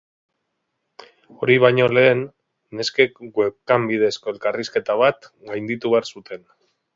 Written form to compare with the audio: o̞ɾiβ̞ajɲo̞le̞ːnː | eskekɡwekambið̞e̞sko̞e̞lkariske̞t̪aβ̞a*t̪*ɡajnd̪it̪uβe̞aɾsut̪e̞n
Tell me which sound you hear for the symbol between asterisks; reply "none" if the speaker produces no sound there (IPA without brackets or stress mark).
t̪